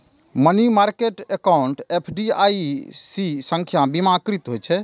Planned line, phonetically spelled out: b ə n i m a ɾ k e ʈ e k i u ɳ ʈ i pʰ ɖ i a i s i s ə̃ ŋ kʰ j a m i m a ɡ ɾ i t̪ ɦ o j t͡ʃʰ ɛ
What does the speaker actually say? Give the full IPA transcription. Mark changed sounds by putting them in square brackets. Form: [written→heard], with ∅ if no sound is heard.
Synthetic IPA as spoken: [b→m] ə n i m a ɾ k e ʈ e k [i→a] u ɳ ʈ [i→e] pʰ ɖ i a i s i s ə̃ ŋ kʰ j a [m→b] i m a [ɡ→k] ɾ i t̪ ɦ o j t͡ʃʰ ɛ